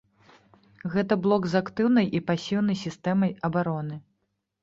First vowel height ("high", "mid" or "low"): mid